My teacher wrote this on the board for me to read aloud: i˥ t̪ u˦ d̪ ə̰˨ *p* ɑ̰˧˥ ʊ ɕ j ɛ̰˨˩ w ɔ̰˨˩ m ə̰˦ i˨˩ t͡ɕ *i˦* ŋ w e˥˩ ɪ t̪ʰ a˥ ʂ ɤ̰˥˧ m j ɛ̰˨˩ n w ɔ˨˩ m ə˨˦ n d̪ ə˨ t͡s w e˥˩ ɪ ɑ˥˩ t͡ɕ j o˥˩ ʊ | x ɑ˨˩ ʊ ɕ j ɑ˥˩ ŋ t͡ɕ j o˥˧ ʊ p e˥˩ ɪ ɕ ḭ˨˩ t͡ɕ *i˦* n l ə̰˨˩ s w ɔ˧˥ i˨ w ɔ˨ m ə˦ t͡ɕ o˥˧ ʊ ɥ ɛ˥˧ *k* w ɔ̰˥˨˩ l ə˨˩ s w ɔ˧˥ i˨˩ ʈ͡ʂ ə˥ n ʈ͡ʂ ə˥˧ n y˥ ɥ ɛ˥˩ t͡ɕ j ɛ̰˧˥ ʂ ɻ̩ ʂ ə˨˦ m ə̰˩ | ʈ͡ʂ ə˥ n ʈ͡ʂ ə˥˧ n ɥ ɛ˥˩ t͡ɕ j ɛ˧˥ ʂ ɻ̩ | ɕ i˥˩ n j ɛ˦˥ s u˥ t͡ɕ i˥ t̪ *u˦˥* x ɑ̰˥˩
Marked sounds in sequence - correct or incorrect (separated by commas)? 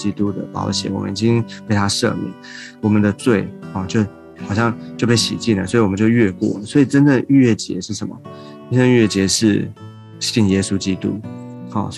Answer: correct, correct, incorrect, correct, correct